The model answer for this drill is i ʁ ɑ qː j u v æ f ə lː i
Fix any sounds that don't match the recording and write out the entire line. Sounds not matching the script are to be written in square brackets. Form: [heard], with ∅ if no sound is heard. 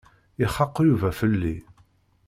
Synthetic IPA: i [χ] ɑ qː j u v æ f ə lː i